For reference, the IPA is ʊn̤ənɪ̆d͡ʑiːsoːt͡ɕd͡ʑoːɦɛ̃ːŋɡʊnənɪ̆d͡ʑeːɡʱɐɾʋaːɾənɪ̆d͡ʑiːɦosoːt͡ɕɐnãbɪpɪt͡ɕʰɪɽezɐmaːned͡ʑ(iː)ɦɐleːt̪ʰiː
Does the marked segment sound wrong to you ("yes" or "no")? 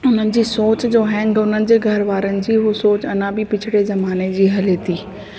no